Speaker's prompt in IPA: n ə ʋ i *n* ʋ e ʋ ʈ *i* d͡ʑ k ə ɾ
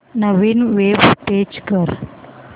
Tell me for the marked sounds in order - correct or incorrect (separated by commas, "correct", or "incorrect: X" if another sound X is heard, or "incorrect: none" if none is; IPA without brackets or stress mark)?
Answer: correct, incorrect: e